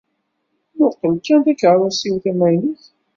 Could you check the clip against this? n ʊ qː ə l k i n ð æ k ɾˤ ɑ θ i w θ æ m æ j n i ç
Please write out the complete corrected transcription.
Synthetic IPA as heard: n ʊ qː ə l k æ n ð æ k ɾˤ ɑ s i w θ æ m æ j n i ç